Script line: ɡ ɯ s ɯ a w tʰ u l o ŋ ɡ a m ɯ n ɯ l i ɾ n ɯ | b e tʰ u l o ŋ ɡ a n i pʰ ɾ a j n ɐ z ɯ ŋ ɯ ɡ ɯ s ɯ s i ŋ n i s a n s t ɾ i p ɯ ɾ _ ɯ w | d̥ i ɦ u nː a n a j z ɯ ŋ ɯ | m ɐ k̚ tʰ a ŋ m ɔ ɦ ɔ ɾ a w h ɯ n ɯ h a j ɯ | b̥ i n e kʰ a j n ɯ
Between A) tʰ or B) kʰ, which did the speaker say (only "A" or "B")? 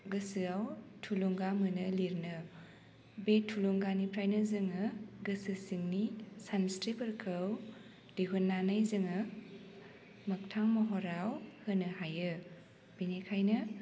B